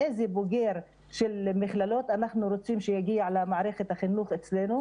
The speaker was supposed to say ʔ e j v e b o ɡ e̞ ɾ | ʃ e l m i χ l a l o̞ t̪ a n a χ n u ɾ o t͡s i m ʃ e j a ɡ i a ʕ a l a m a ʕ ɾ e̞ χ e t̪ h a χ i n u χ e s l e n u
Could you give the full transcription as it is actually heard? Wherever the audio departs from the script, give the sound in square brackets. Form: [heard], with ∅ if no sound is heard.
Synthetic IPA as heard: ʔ e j [z] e b o ɡ e̞ ɾ | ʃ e l m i χ l a l o̞ t̪ a n a χ n u ɾ o t͡s i m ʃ e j a ɡ i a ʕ a l a m a ʕ ɾ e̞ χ e t̪ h a χ i n u χ e [t͡s] l e n u